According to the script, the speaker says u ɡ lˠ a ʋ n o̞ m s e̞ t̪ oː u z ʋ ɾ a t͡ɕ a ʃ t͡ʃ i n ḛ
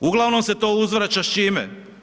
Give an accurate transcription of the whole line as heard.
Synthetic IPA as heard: u ɡ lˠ a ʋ n o̞ m s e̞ t̪ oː u z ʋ ɾ a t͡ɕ a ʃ t͡ʃ i m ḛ